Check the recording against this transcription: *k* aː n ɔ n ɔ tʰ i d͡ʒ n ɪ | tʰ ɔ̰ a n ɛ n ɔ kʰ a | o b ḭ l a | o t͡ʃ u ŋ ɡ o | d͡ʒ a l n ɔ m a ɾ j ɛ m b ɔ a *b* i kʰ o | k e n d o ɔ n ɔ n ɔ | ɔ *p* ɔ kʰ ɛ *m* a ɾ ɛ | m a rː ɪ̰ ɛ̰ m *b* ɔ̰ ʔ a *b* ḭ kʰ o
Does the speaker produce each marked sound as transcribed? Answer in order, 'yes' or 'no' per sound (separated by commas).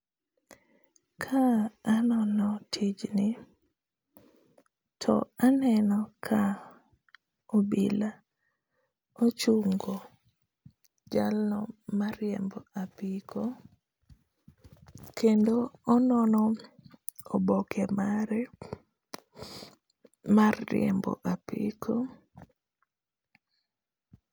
no, no, no, yes, yes, no